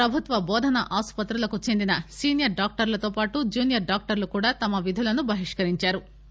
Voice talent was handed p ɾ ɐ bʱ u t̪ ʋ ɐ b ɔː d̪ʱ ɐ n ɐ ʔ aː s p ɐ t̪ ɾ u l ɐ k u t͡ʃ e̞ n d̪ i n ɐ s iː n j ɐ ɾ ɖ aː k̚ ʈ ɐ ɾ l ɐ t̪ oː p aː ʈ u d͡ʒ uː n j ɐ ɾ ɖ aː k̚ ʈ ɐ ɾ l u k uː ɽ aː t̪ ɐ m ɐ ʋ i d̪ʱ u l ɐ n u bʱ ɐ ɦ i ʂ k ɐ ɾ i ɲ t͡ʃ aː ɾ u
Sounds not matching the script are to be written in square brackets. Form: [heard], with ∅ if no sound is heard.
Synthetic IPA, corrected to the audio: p ɾ ɐ bʱ u t̪ ʋ ɐ b ɔː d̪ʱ ɐ n ɐ ʔ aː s p ɐ t̪ ɾ u l ɐ k u t͡ʃ e̞ n d̪ i n ɐ s iː n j ɐ ɾ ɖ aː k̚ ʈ ɐ ɾ l ɐ t̪ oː p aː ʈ u d͡ʒ uː n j ɐ ɾ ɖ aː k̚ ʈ ɐ ɾ l u k uː ɽ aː t̪ ɐ m ɐ ʋ i d̪ʱ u l ɐ n u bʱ ɐ ɦ i ʂ k ɐ ɾ i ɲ t͡ʃ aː ɾ u

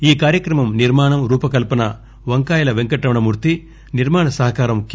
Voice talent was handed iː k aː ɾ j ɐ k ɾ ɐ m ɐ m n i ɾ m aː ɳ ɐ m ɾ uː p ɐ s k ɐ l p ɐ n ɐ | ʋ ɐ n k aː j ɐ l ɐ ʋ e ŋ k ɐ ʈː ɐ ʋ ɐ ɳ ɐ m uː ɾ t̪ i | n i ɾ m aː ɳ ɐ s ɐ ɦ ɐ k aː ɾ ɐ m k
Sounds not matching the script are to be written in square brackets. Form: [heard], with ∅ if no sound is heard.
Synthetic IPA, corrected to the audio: iː k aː ɾ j ɐ k ɾ ɐ m ɐ m n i ɾ m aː ɳ ɐ m ɾ uː p ɐ [∅] k ɐ l p ɐ n ɐ | ʋ ɐ [ŋ] k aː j ɐ l ɐ ʋ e ŋ k ɐ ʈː ɐ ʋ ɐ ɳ ɐ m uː ɾ t̪ i | n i ɾ m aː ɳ ɐ s ɐ ɦ ɐ k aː ɾ ɐ m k

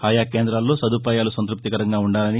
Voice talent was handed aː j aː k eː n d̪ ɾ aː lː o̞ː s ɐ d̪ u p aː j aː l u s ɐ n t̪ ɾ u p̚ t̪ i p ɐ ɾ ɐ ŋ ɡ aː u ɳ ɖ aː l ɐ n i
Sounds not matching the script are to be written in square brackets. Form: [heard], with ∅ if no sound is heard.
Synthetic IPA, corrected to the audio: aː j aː k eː n d̪ ɾ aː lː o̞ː s ɐ d̪ u p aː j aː l u s ɐ n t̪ ɾ u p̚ t̪ i [k] ɐ ɾ ɐ ŋ ɡ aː u ɳ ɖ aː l ɐ n i

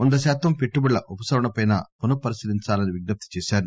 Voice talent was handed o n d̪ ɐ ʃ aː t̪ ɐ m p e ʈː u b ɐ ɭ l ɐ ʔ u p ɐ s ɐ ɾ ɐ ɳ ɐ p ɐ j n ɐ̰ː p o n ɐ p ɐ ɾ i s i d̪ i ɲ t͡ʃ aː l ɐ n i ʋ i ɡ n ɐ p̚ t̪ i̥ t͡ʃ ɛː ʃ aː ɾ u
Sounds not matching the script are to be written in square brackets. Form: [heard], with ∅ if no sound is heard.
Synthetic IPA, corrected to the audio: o n d̪ ɐ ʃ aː t̪ ɐ m p e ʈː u b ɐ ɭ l ɐ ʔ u p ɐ s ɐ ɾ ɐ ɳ ɐ p ɐ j n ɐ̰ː p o n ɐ p ɐ ɾ i s i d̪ i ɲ t͡ʃ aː l ɐ n i ʋ i ɡ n ɐ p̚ t̪ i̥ t͡ʃ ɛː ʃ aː ɾ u

